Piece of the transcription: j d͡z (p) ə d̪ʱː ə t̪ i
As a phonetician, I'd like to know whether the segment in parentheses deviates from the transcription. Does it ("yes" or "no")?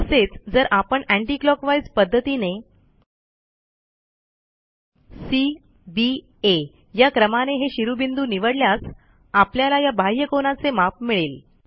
no